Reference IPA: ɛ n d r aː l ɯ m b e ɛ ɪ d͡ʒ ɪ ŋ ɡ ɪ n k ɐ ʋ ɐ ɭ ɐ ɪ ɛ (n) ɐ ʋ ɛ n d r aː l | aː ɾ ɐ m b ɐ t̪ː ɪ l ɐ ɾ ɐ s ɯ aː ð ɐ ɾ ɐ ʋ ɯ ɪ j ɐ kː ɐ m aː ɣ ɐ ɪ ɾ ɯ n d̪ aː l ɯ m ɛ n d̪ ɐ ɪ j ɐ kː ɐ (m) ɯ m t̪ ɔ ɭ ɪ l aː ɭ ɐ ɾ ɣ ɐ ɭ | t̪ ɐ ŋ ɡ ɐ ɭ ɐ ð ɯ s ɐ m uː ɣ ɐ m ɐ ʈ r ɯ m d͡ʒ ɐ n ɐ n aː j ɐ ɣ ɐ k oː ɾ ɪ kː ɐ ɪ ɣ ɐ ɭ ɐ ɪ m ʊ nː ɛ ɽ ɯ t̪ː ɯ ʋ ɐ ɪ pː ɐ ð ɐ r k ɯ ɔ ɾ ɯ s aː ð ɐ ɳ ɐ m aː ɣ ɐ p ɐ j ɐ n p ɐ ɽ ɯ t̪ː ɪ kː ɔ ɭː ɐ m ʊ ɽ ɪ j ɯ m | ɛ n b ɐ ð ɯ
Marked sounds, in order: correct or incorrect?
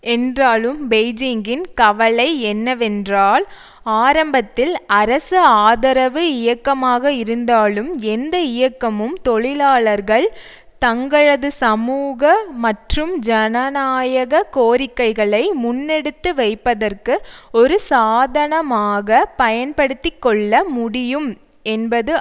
incorrect: nː, correct

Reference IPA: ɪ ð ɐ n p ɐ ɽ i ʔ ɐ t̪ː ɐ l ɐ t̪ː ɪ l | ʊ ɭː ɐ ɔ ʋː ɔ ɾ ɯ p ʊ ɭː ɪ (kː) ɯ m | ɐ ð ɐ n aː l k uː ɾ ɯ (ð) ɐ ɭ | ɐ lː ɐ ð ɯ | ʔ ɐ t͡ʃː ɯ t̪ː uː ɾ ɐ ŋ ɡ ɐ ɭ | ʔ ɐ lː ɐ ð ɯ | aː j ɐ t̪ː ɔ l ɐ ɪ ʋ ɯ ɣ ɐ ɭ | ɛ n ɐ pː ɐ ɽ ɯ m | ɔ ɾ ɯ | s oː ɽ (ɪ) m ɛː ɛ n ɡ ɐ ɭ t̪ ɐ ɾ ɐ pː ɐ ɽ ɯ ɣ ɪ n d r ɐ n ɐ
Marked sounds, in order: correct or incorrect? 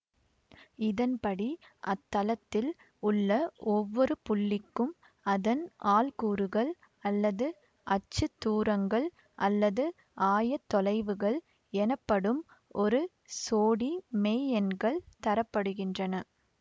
correct, incorrect: ɣ, incorrect: i

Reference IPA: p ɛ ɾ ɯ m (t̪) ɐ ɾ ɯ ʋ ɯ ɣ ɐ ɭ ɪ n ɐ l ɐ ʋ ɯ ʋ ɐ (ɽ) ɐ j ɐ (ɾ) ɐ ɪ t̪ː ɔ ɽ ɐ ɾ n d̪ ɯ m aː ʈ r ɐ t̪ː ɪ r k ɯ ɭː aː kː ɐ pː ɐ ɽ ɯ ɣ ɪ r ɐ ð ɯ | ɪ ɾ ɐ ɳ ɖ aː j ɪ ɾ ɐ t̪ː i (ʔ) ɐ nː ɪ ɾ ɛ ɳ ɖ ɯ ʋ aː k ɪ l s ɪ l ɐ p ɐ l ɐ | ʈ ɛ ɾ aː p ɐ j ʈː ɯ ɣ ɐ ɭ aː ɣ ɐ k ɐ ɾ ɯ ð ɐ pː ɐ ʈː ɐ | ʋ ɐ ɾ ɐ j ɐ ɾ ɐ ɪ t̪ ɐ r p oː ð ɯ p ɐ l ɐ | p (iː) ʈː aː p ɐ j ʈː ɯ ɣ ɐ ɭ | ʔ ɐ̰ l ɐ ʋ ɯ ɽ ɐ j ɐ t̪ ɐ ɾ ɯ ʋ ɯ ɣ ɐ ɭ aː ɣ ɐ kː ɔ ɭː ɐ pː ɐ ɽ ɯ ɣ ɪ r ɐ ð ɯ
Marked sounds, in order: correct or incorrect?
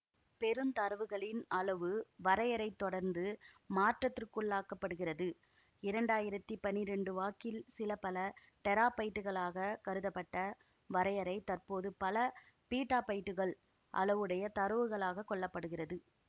correct, incorrect: ɾ, correct, incorrect: p, correct

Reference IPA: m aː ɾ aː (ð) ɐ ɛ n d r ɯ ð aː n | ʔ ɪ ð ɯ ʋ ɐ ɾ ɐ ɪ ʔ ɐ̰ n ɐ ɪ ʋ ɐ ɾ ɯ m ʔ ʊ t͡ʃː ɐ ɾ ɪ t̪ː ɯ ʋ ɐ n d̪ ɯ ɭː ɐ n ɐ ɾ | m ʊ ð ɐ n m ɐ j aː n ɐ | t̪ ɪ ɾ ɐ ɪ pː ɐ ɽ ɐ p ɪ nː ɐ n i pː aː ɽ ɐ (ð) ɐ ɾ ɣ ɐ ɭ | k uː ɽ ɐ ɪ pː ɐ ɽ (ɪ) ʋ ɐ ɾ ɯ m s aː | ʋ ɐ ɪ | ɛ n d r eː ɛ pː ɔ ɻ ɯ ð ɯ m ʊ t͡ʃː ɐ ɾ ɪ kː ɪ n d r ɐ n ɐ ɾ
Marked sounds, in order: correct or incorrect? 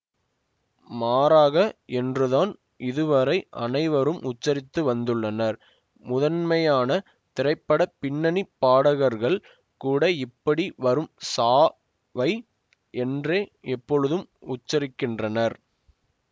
incorrect: ɣ, incorrect: ɣ, incorrect: i

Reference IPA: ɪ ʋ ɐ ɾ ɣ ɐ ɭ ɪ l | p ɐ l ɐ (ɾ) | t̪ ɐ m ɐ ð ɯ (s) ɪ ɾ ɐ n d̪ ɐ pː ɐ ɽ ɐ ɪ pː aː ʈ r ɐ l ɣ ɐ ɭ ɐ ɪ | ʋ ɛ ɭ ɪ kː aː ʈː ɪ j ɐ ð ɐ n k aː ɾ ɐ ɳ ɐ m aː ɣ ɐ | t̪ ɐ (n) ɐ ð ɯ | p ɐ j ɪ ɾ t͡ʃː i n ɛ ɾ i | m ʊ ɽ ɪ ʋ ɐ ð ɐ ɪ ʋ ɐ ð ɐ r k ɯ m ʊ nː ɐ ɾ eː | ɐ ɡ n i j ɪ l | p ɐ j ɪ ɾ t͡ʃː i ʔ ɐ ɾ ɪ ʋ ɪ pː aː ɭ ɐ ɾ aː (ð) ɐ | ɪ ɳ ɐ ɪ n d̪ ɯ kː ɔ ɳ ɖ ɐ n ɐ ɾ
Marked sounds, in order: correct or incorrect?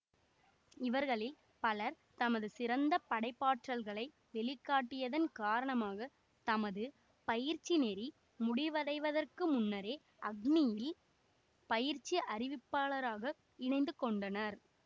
correct, correct, incorrect: m, incorrect: ɣ

